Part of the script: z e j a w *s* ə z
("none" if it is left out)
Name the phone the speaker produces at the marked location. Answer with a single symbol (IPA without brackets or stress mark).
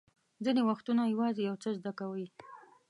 t͡s